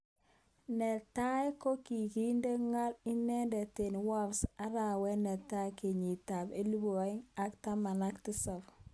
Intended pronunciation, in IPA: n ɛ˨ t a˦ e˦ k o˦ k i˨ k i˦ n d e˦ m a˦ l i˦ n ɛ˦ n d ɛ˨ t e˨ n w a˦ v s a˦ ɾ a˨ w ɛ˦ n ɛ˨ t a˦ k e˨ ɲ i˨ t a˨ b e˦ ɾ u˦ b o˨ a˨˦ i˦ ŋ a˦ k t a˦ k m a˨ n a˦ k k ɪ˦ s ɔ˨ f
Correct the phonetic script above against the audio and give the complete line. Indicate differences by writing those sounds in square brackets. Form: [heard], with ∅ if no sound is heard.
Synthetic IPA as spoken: n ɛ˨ t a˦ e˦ k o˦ k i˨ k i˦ n d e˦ [ŋ] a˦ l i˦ n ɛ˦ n d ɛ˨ t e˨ n w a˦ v s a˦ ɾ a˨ w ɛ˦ n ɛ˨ t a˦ k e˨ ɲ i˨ t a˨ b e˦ [l] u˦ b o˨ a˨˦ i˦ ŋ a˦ k t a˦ [∅] m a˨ n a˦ k [t] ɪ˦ s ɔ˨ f